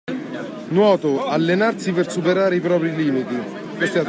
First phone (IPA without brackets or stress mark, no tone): n